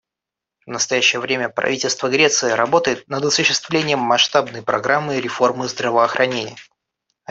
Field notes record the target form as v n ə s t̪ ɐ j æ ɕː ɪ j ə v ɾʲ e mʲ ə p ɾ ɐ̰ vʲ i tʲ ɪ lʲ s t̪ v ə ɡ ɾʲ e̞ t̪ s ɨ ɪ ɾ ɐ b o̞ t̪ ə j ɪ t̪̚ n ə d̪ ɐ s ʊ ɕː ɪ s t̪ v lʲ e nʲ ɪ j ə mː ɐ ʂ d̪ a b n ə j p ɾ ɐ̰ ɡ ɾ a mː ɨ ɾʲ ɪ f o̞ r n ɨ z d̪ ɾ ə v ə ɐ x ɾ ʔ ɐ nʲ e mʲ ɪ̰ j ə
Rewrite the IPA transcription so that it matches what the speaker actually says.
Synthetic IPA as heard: v n ə s t̪ ɐ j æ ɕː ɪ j ə v ɾʲ e mʲ ə p ɾ ɐ̰ vʲ i tʲ ɪ lʲ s t̪ v ə ɡ ɾʲ e̞ t̪ s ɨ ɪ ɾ ɐ b o̞ t̪ ə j ɪ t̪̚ n ə d̪ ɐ s ʊ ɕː ɪ s t̪ v lʲ e nʲ ɪ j ə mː ɐ ʂ t̪ a b n ə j p ɾ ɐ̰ ɡ ɾ a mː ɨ ɾʲ ɪ f o̞ r m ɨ z d̪ ɾ ə v ə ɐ x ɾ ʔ ɐ nʲ e nʲ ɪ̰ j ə